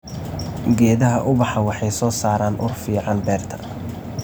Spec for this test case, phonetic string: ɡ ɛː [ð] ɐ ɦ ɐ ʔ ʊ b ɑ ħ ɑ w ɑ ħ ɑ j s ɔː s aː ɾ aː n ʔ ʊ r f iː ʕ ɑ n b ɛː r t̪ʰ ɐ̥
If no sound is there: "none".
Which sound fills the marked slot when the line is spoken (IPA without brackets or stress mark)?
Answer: ð